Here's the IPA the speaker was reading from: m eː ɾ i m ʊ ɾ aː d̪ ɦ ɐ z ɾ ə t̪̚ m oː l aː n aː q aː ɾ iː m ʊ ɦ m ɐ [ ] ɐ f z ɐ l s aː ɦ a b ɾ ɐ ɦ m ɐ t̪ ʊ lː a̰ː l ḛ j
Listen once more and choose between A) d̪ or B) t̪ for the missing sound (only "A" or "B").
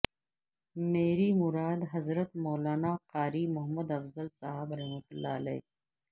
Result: A